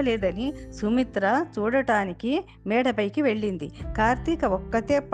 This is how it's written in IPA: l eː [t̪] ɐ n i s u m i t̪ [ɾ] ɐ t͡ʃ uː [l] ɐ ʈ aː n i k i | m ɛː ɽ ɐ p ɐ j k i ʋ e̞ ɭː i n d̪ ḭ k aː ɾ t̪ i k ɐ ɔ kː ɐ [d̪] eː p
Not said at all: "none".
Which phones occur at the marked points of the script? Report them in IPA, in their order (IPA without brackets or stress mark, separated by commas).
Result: d̪, ɾ, ɽ, t̪